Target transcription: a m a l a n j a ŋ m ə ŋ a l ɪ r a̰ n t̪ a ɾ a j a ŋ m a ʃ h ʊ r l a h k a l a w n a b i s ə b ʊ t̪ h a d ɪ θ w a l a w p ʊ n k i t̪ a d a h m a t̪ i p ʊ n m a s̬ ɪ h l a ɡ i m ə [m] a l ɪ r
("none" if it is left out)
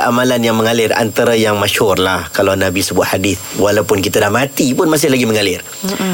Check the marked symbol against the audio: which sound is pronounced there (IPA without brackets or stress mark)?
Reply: ŋ